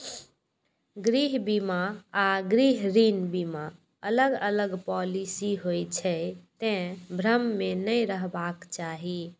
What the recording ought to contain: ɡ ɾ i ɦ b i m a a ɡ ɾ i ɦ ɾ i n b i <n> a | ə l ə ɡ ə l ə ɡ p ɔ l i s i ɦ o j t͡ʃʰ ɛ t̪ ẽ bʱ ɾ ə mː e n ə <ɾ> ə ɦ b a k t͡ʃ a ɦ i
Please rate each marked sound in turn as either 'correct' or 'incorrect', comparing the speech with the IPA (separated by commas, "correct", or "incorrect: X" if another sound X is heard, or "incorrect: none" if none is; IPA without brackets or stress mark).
incorrect: m, correct